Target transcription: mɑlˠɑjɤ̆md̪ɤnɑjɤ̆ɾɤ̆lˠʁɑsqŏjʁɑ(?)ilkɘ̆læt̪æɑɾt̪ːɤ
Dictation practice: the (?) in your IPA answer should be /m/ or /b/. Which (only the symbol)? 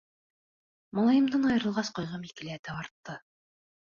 m